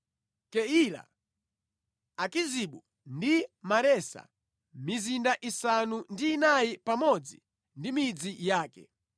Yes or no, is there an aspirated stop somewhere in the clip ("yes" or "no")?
no